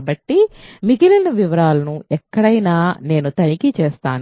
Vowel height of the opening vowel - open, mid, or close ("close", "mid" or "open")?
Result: open